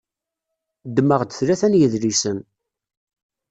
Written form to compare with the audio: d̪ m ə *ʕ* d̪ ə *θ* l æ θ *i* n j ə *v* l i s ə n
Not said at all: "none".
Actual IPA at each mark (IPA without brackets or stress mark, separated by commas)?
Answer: ʁ, θ, æ, ð